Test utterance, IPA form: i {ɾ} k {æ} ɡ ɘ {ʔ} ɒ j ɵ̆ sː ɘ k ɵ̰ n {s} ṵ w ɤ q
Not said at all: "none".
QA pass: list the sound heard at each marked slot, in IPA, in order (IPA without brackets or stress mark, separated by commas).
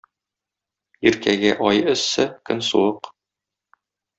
ɾ, æ, ʔ, s